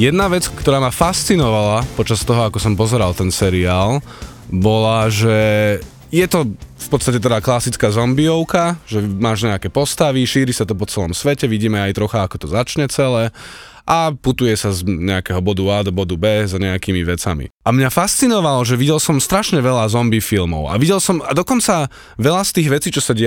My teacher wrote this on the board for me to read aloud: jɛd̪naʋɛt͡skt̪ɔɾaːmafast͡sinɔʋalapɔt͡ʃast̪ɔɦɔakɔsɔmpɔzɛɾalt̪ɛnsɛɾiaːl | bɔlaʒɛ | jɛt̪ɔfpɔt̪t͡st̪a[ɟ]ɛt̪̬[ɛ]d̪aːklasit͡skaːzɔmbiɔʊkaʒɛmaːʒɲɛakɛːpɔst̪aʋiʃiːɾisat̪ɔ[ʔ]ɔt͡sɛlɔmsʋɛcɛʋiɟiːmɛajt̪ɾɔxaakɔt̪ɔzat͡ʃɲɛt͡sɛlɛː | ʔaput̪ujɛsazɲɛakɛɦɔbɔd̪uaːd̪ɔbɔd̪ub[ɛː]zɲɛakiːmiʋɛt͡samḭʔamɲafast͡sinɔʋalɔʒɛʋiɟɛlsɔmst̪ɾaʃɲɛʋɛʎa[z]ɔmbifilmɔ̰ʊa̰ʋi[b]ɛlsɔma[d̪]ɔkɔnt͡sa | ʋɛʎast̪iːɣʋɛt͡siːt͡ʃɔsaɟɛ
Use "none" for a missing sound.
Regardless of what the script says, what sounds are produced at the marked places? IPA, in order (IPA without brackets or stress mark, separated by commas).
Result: c, ɛ, p, ɛː, z, ɟ, d̪